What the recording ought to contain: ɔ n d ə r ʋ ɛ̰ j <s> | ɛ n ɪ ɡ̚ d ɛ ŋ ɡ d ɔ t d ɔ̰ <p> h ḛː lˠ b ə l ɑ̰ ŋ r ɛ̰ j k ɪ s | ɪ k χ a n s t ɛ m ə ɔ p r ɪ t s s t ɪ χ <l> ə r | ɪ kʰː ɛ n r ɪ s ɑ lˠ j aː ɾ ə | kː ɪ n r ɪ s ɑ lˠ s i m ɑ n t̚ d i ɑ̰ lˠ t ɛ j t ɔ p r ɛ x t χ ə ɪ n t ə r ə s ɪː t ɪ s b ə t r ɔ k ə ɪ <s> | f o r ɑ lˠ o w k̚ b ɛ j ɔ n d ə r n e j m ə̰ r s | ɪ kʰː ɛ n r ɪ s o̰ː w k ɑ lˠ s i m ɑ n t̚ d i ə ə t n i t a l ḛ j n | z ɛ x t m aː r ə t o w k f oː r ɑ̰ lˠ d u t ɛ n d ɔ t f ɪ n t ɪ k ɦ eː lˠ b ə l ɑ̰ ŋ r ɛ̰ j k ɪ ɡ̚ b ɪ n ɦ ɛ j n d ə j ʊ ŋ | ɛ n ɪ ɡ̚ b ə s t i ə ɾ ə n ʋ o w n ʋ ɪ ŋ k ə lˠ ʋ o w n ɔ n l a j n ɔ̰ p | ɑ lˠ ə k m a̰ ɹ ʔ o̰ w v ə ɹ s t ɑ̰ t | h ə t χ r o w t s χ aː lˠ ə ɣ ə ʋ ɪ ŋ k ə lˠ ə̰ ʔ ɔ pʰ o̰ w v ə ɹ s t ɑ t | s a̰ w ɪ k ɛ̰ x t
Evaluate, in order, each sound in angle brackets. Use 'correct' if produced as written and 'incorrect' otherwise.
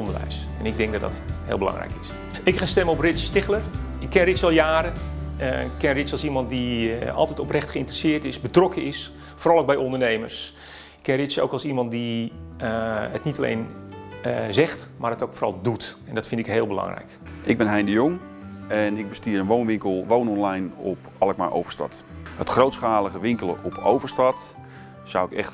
correct, incorrect, correct, correct

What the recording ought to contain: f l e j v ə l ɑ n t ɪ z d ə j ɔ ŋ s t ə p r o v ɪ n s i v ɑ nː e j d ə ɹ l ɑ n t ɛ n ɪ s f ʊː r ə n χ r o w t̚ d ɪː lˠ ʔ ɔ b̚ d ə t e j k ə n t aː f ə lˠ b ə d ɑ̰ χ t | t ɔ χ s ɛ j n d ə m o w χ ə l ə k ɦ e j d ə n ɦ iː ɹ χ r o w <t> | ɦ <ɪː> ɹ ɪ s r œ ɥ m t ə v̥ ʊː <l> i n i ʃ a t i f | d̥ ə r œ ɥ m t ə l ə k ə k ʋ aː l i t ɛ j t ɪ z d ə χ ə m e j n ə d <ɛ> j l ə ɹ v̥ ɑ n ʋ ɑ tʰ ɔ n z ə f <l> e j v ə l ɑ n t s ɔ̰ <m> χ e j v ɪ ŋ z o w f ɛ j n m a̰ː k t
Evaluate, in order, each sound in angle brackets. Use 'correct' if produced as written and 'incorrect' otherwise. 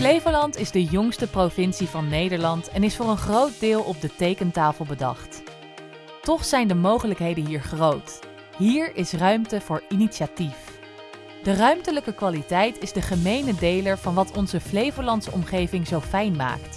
correct, incorrect, incorrect, incorrect, correct, correct

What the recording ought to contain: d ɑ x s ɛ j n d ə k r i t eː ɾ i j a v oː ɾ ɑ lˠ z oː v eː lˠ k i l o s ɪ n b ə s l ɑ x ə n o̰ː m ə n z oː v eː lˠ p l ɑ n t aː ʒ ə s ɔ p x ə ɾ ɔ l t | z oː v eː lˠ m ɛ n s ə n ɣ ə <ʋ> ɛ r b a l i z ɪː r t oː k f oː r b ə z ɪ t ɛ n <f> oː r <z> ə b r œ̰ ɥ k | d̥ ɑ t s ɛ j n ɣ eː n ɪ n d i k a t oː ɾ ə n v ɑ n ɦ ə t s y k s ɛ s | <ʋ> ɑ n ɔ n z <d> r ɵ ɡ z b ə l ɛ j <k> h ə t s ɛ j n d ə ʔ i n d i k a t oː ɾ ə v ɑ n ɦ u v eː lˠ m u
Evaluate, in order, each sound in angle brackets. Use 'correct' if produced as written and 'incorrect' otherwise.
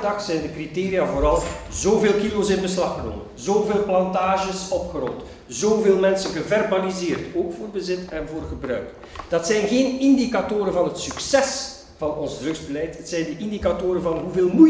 incorrect, incorrect, incorrect, incorrect, correct, incorrect

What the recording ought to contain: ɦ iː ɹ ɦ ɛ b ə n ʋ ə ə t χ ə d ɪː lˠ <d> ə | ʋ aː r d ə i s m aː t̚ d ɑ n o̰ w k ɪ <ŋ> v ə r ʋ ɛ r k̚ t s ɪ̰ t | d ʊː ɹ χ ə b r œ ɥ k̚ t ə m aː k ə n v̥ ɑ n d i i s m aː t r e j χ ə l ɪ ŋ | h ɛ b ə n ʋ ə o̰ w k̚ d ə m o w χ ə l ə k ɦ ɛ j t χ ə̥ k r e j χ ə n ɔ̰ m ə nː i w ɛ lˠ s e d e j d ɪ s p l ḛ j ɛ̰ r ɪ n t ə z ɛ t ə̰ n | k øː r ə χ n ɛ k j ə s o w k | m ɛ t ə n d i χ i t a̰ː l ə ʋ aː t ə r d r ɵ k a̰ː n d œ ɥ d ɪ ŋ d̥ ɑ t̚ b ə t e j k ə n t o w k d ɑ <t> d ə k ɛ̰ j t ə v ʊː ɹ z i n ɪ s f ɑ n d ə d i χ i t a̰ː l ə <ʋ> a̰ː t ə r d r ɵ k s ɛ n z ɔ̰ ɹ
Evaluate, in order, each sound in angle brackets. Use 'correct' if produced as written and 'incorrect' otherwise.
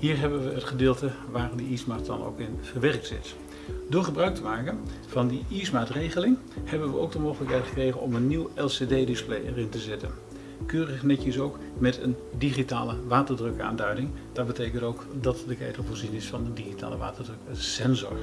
incorrect, incorrect, correct, correct

